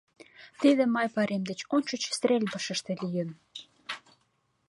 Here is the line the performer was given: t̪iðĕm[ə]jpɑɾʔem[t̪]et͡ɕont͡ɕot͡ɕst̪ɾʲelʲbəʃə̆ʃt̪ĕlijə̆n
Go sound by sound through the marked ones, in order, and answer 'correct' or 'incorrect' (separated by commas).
incorrect, incorrect